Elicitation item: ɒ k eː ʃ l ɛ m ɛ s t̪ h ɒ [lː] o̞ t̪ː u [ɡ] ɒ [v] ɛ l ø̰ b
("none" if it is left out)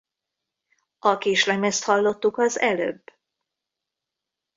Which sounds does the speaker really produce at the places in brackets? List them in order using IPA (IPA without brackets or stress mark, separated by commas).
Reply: lː, k, z